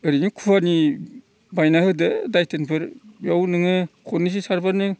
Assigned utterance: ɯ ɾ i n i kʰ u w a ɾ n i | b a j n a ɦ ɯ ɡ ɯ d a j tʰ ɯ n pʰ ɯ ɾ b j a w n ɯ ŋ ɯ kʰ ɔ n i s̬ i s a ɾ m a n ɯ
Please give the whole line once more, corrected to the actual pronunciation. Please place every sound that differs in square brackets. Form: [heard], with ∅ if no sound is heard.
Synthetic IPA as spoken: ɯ ɾ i n i kʰ u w a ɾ n i | b a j n a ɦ ɯ [d] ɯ d a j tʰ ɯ n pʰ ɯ ɾ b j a w n ɯ ŋ ɯ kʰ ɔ n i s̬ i s a ɾ [b] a n ɯ